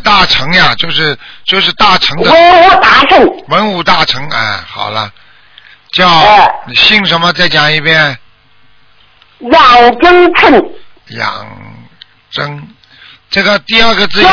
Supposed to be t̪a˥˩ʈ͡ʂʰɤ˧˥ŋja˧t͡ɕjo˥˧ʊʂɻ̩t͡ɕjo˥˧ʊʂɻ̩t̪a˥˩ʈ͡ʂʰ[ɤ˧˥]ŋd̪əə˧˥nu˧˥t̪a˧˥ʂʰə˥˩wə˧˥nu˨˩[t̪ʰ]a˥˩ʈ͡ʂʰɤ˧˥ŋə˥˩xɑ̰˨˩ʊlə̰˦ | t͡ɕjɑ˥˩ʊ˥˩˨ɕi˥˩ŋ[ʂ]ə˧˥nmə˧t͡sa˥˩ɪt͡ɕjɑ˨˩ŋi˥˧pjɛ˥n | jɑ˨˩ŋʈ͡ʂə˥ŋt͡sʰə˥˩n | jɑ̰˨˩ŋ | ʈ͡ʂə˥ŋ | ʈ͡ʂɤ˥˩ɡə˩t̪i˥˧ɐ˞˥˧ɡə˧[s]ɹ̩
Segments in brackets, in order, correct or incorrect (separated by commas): correct, incorrect, correct, incorrect